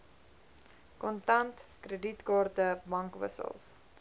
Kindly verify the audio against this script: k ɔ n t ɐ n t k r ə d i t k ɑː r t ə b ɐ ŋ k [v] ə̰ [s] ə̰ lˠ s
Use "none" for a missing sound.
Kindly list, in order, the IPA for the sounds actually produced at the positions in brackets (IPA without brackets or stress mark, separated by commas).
v, s